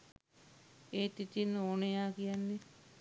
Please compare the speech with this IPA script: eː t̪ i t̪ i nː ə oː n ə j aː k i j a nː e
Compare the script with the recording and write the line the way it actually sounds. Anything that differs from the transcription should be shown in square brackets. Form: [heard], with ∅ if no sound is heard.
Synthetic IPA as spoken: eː t̪ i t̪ i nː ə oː n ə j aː k i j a nː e